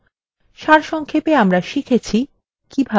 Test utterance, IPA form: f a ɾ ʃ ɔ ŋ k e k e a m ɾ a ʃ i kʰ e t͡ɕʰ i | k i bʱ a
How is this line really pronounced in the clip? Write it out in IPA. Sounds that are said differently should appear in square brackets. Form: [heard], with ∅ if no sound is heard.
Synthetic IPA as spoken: [ʃ] a ɾ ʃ ɔ ŋ [kʰ] e [p] e a m ɾ a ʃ i kʰ e t͡ɕʰ i | k i bʱ a